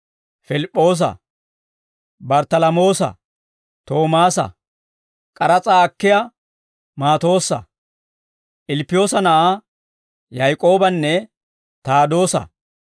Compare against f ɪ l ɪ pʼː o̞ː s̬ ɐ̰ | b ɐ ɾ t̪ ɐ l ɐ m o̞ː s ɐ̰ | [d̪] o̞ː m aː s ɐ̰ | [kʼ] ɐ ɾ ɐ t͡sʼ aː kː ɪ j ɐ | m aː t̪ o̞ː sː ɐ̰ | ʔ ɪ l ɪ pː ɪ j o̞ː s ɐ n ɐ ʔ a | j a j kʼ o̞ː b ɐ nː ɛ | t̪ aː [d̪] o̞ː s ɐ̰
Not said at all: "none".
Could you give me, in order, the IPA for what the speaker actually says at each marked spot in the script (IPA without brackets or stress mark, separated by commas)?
t̪, kʼ, d̪